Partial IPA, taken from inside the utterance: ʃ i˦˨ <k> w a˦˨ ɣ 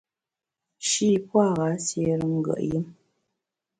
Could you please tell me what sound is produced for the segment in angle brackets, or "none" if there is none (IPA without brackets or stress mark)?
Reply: p